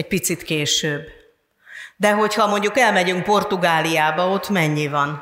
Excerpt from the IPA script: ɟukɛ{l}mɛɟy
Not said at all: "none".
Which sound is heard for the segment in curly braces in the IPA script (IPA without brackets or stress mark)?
l